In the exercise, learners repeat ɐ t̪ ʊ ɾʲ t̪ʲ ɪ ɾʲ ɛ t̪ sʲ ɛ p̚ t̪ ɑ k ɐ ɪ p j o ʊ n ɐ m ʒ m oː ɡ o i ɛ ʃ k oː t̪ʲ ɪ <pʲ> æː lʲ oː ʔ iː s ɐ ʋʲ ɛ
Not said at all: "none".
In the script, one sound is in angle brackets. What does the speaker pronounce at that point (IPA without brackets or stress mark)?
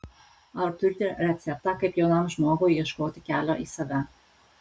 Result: kʲ